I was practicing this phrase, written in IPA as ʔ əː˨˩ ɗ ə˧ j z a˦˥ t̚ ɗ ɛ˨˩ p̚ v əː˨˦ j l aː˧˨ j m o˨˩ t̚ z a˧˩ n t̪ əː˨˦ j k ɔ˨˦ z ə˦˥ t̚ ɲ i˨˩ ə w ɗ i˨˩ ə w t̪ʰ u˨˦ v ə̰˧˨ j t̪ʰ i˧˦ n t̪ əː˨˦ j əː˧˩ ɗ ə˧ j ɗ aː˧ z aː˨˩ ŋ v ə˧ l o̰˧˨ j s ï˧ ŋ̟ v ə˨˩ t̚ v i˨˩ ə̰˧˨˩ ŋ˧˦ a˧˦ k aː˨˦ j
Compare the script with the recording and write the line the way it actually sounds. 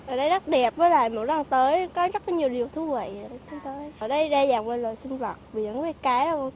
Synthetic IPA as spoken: ʔ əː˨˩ ɗ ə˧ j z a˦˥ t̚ ɗ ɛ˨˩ p̚ v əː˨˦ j l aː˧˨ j m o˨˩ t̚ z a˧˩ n t̪ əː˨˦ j k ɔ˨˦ z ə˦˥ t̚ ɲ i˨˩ ə w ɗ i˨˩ ə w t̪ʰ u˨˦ v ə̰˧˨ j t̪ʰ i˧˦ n t̪ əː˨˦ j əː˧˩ ɗ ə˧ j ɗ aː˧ z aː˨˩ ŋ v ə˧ l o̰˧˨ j s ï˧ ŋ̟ v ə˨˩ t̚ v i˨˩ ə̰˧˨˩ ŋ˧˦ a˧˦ k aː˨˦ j